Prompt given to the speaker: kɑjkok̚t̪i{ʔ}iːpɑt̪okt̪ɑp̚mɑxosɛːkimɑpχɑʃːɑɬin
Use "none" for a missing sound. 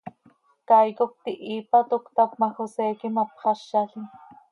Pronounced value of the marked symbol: ʔ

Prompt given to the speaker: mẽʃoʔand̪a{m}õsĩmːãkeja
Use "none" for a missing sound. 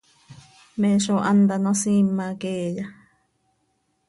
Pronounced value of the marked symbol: n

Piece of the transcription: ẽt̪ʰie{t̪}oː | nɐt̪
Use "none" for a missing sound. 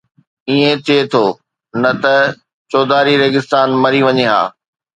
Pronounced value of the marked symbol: t̪ʰ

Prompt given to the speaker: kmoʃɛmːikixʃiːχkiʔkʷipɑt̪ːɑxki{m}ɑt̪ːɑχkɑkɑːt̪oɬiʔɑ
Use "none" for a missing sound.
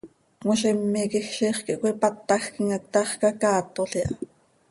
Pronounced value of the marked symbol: ŋ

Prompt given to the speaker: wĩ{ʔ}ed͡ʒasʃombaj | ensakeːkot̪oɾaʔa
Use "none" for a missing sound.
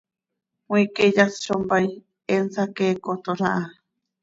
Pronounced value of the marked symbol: k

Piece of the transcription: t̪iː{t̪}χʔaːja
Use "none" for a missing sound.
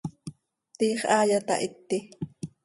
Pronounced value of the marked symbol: none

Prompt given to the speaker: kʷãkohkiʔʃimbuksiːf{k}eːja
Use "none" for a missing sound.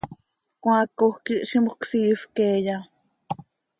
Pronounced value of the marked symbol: k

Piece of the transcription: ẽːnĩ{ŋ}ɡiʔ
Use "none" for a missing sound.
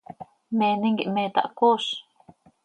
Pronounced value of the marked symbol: ŋ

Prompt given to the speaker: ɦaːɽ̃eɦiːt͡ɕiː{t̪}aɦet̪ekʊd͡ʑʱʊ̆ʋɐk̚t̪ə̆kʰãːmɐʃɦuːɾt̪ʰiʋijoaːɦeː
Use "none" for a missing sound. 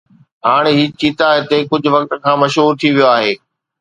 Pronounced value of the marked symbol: t̪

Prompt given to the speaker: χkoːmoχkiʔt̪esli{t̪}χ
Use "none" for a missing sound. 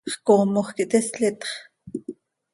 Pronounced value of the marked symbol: t̪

